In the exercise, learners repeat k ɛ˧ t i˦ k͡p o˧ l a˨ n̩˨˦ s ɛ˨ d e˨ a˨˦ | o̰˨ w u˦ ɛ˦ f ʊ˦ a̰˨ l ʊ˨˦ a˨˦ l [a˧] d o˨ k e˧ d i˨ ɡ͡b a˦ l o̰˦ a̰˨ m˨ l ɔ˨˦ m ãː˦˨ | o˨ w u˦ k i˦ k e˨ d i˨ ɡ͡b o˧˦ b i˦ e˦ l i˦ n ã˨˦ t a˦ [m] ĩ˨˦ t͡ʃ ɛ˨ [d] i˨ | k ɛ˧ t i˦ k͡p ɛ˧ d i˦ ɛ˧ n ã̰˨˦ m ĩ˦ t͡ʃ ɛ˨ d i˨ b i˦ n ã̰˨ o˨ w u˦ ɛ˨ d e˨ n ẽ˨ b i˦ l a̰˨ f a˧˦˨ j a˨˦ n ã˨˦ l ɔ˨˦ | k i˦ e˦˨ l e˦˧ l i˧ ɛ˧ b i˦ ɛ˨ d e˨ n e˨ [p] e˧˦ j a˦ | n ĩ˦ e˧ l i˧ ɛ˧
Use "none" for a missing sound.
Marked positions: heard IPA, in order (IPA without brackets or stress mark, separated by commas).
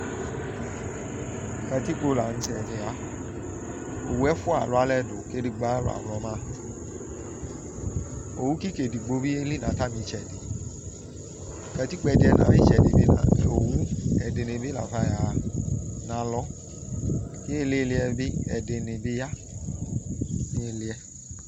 ɛ˧, m, d, b